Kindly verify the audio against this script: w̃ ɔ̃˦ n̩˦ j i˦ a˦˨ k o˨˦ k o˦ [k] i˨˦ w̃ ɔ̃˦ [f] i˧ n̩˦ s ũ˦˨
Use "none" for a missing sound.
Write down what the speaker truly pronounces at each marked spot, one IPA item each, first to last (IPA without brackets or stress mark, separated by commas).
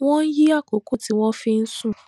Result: t, f